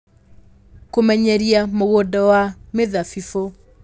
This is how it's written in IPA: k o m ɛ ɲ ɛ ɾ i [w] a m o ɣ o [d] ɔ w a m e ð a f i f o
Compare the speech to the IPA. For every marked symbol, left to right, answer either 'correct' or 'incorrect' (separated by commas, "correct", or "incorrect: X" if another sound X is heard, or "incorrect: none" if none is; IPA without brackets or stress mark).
incorrect: none, correct